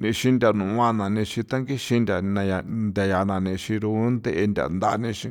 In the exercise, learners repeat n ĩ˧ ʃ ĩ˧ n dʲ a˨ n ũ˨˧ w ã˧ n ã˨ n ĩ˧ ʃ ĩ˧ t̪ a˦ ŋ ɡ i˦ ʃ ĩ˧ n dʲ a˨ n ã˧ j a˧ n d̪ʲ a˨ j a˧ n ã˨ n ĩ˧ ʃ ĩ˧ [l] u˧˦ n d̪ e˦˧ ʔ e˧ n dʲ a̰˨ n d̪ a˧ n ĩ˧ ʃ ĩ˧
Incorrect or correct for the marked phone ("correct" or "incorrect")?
incorrect